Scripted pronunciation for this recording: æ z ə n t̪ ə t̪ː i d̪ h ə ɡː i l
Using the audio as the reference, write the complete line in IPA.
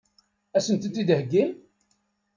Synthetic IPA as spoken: æ s ə n t̪ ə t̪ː i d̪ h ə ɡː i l